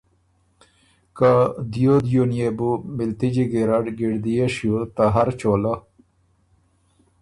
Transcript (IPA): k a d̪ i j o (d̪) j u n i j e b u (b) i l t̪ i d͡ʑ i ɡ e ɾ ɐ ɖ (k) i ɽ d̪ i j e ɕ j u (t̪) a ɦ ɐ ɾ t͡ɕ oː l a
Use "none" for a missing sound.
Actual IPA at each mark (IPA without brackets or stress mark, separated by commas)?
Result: d̪, m, ɡ, t̪